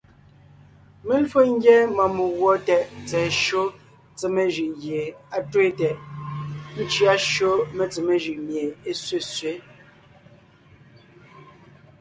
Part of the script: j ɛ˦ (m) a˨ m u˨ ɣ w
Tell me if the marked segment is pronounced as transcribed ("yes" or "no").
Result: yes